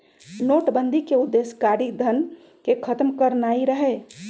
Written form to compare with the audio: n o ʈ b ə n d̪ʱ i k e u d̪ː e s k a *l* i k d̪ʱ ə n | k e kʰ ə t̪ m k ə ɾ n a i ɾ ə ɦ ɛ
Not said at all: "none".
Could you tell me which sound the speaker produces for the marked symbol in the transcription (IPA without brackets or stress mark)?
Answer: ɾ